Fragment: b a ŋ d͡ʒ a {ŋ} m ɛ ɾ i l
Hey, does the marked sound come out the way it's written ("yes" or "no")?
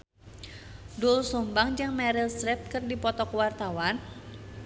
yes